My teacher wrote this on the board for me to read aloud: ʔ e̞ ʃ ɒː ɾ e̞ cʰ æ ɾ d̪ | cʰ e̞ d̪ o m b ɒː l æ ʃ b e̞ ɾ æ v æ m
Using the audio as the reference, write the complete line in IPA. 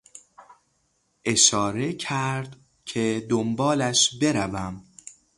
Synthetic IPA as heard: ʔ e̞ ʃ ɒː ɾ e̞ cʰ æ ɾ d̪ | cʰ e̞ d̪ o m b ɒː l æ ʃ b e̞ ɾ æ v æ m